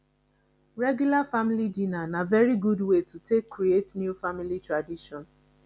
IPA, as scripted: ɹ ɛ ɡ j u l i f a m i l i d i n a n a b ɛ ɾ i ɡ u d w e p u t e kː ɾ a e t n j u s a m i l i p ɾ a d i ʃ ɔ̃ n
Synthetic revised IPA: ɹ ɛ ɡ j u l a f a m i l i d i n a n a v ɛ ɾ i ɡ u d w e t u t e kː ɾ i e t n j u f a m i l i t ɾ a d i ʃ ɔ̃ n